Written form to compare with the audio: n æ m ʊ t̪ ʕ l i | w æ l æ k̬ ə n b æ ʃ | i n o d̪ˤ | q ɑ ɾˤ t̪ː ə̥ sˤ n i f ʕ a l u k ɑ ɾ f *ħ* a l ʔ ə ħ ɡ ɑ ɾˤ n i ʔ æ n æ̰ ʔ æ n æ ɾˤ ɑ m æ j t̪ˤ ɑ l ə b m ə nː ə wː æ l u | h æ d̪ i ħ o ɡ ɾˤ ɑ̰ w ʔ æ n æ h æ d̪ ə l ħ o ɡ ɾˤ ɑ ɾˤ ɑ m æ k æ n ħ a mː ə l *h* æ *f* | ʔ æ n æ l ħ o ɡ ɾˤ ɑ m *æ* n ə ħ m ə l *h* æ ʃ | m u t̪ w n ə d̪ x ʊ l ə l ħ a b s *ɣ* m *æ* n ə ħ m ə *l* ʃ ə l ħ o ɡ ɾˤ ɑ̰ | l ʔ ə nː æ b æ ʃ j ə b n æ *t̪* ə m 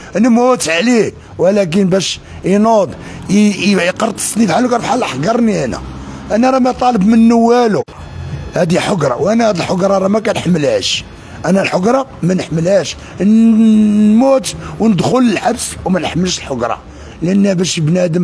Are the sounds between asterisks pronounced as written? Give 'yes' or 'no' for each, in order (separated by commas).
yes, yes, no, yes, yes, no, yes, yes, no